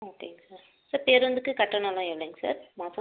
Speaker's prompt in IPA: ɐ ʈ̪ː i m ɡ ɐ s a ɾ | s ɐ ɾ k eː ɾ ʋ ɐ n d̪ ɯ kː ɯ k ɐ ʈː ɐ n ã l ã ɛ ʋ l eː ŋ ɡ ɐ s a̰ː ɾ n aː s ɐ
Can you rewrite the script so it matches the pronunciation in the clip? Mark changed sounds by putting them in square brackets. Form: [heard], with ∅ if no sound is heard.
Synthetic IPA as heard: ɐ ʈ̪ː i [ŋ] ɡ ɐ s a ɾ | s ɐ ɾ [p] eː ɾ ʋ ɐ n d̪ ɯ kː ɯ k ɐ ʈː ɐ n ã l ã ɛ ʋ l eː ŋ ɡ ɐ s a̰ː ɾ [m] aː s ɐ